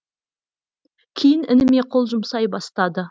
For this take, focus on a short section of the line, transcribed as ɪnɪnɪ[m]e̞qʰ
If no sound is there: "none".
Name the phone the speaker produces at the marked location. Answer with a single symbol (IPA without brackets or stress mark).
m